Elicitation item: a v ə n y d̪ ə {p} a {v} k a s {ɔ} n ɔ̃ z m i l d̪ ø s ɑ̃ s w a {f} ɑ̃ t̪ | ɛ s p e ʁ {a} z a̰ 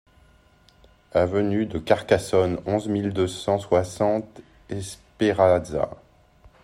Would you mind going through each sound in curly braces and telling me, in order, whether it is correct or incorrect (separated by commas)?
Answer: incorrect, incorrect, correct, incorrect, correct